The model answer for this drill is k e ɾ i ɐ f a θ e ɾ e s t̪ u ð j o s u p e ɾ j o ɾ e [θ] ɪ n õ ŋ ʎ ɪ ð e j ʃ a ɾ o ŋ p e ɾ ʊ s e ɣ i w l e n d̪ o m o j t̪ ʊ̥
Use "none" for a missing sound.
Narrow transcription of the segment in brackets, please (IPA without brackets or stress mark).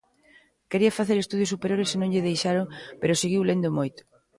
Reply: s